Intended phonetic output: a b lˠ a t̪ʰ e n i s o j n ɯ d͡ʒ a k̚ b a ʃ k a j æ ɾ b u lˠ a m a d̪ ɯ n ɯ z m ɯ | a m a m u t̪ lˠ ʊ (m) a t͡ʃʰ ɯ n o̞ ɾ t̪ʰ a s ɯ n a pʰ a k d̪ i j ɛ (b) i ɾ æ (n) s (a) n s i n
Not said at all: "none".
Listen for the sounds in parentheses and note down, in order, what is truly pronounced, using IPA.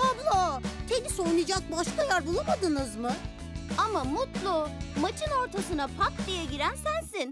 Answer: m, ɟ, n, æ

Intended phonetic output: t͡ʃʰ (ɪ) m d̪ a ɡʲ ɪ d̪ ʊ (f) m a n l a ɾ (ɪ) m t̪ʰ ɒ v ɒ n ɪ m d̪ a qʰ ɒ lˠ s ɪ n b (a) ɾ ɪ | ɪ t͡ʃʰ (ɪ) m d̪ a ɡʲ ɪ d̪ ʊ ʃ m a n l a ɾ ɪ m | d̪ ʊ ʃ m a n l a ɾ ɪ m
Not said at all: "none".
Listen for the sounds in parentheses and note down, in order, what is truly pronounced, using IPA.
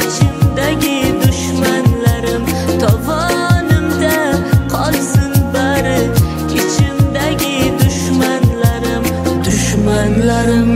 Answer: ɪ, ʃ, ɪ, a, ɪ

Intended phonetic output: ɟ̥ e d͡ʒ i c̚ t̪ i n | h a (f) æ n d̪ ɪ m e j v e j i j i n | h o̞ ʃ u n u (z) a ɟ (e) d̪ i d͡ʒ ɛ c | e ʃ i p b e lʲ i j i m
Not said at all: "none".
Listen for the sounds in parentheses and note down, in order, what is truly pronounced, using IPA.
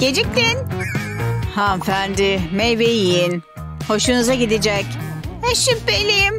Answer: f, z, i

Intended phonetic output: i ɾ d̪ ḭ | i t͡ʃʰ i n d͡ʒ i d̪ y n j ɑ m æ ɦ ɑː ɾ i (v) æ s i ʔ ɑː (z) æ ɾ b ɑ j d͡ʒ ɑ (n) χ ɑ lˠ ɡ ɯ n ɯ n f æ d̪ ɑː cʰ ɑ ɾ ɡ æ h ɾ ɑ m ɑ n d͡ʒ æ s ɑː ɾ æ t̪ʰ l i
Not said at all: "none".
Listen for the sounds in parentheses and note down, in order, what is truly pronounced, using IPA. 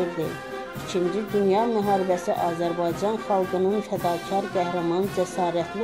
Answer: b, z, n

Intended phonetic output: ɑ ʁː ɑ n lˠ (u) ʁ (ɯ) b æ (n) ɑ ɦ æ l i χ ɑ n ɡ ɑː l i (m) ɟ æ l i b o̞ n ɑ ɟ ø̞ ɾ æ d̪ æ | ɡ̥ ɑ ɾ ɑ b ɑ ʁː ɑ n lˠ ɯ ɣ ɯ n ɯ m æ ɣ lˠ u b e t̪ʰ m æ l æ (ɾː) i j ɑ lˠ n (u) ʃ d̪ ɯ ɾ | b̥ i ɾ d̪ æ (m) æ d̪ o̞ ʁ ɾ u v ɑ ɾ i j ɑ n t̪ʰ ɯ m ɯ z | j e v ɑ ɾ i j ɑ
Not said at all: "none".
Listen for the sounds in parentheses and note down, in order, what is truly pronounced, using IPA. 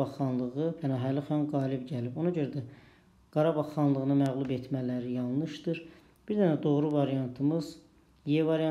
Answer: ɯ, ɯ, n, b, ɾ, ɯ, n

